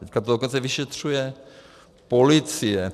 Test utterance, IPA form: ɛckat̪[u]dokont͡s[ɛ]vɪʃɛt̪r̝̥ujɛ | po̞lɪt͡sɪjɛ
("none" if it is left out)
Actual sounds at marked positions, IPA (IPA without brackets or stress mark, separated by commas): o, ɛ